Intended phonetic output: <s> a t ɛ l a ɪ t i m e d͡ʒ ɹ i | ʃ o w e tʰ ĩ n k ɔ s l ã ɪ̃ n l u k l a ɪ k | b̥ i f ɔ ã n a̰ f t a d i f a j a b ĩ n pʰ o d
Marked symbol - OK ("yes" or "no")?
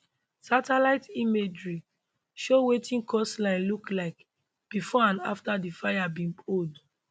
yes